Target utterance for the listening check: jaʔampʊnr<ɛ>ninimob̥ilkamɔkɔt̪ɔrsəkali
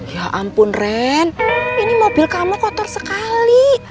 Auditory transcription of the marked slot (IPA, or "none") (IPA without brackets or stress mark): ɛ